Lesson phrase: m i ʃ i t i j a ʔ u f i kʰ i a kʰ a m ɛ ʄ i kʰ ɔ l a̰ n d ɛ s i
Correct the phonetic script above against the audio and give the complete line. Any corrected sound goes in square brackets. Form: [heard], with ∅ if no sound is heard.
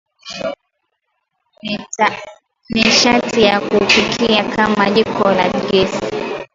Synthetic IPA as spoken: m i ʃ [a] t i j a [k] u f i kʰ i a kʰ a m [a] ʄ i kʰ ɔ l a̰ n [ɡ] ɛ s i